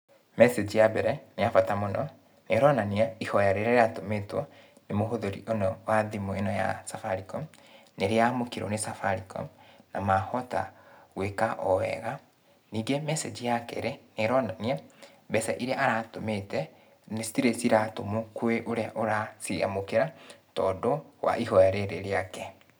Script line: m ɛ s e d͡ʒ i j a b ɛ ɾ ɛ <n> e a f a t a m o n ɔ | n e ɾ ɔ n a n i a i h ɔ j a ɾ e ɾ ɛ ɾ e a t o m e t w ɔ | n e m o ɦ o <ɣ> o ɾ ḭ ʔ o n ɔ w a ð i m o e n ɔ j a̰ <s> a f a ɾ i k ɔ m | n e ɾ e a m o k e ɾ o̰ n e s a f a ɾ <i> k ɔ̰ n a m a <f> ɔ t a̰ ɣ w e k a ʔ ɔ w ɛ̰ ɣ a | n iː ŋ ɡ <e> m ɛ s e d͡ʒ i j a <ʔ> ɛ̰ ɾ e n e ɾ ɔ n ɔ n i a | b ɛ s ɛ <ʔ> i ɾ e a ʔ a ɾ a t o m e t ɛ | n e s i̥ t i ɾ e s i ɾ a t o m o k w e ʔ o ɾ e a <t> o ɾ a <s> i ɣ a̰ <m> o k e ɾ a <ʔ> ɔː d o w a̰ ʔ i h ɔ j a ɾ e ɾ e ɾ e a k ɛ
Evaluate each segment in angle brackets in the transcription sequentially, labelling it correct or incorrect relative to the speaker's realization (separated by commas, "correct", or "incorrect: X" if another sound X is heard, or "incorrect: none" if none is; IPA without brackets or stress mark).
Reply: correct, incorrect: ð, correct, correct, incorrect: h, correct, incorrect: k, correct, incorrect: ʔ, correct, correct, incorrect: t